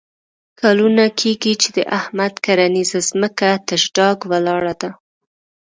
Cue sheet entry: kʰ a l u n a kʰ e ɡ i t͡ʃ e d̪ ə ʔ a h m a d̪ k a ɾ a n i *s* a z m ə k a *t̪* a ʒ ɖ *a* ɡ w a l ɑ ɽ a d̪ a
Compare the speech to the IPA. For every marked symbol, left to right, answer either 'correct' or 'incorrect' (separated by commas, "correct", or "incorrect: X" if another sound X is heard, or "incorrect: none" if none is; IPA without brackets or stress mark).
incorrect: z, correct, incorrect: ɑ